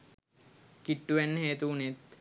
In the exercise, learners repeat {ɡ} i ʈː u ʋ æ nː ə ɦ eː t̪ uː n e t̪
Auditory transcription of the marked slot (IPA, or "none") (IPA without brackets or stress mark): k